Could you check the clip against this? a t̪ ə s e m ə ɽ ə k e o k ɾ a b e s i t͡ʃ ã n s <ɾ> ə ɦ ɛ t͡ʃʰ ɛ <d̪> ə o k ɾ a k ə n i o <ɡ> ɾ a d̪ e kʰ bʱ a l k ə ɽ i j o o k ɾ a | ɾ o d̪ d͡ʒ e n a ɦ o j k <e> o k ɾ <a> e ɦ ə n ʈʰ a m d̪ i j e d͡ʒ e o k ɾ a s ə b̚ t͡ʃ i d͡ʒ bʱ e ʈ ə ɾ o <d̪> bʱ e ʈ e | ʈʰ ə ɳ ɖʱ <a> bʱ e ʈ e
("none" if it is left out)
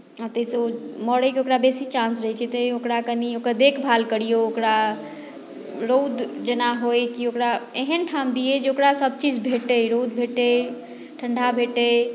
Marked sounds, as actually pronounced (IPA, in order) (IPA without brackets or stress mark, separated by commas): ɾ, t̪, k, i, a, d̪, a